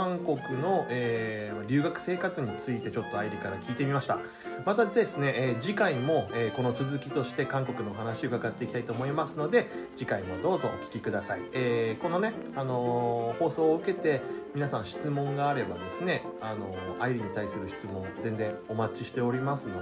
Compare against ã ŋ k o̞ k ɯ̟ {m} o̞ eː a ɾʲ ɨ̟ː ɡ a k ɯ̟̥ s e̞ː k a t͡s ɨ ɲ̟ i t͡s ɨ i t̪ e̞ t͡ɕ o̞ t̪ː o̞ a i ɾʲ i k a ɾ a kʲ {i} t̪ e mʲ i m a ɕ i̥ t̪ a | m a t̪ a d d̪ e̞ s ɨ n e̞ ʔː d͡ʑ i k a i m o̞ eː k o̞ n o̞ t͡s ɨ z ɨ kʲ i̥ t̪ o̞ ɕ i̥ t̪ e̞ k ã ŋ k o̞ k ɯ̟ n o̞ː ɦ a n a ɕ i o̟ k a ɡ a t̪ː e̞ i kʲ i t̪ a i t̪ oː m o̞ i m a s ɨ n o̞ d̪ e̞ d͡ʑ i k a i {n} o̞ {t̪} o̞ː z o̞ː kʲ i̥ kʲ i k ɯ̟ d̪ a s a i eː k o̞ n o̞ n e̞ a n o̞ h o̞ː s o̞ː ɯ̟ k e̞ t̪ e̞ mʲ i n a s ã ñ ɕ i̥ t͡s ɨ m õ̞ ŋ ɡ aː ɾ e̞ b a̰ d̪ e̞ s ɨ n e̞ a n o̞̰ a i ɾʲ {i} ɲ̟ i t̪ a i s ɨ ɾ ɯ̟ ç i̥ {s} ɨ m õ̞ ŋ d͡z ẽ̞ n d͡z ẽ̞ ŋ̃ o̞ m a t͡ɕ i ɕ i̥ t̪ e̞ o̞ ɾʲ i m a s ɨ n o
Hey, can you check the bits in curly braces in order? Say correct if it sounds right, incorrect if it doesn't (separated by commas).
incorrect, incorrect, incorrect, incorrect, correct, incorrect